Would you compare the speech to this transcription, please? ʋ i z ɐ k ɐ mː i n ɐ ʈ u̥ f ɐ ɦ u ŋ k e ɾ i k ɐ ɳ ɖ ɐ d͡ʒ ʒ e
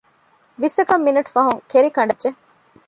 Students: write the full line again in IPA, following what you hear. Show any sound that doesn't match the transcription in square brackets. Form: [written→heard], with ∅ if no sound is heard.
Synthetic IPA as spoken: ʋ i [z→s] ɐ k ɐ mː i n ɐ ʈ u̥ f ɐ ɦ u ŋ k e ɾ i k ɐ ɳ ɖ ɐ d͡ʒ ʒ e

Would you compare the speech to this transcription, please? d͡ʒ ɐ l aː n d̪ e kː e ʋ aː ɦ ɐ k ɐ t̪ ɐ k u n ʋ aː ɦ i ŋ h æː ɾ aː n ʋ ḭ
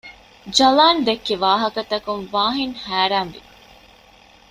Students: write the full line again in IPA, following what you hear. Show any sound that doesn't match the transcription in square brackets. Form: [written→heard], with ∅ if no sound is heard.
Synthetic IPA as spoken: d͡ʒ ɐ l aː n d̪ e kː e ʋ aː ɦ ɐ k ɐ t̪ ɐ k u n ʋ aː ɦ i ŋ h æː ɾ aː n ʋ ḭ

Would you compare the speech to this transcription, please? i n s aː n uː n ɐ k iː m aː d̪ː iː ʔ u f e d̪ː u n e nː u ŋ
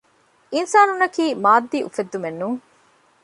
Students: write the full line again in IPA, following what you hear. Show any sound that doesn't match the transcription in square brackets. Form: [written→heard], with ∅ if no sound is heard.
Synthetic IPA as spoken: i n s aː n [uː→u] n ɐ k iː m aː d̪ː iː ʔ u f e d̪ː u [n→m] e nː u ŋ

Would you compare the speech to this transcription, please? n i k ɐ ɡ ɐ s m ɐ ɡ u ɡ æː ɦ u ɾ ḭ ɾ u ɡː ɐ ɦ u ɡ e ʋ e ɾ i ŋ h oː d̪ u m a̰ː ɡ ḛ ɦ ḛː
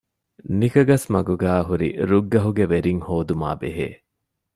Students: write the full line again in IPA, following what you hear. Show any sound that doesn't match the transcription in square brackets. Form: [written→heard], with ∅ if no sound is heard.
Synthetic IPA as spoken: n i k ɐ ɡ ɐ s m ɐ ɡ u ɡ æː ɦ u ɾ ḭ ɾ u ɡː ɐ ɦ u ɡ e ʋ e ɾ i ŋ h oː d̪ u m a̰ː [ɡ→b] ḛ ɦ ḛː

